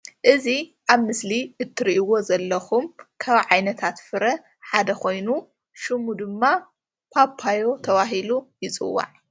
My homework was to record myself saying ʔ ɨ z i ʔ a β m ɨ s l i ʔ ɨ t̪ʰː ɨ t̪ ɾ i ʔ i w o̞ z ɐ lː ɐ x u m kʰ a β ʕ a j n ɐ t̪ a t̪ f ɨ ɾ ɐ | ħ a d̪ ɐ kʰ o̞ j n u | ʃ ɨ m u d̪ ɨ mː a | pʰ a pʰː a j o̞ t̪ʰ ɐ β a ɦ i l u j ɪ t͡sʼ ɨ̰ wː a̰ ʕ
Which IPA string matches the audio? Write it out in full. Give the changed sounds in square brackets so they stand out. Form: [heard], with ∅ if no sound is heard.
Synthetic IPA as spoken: ʔ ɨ z i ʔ a β m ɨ s l i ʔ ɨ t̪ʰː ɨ [∅] ɾ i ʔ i w o̞ z ɐ lː ɐ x u m kʰ a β ʕ a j n ɐ [t̪ʰ] a t̪ f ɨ ɾ ɐ | ħ a d̪ ɐ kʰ o̞ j n u | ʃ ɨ m u d̪ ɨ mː a | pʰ a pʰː a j o̞ t̪ʰ ɐ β a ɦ i l u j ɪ t͡sʼ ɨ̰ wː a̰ ʕ